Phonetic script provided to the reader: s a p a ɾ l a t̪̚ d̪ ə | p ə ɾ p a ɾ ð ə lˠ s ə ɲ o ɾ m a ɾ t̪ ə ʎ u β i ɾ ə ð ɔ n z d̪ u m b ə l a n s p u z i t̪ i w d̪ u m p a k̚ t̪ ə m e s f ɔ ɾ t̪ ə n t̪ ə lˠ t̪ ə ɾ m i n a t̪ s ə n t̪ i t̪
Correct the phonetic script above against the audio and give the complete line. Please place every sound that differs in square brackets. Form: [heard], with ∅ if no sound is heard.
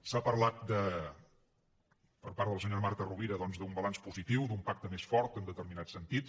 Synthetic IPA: s a p [ə] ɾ l a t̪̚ d̪ ə | p ə ɾ p a ɾ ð ə lˠ s ə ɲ o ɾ m a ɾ t̪ ə [r] u β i ɾ ə ð ɔ n z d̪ u m b ə l a n s p u z i t̪ i w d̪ u m p a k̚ t̪ ə m e s f ɔ ɾ t̪ ə n [d̪] ə [∅] t̪ ə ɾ m i n a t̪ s ə n t̪ i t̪